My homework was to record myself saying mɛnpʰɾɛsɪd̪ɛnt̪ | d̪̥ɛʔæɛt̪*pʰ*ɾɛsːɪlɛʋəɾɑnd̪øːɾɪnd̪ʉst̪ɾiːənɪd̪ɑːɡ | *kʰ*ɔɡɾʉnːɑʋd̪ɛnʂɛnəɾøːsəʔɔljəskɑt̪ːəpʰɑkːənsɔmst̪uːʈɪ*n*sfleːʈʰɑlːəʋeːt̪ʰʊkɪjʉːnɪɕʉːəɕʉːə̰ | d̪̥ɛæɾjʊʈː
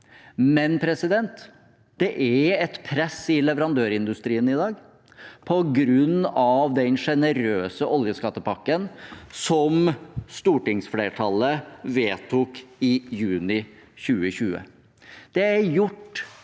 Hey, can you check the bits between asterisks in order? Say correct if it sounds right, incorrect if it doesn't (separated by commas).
correct, incorrect, incorrect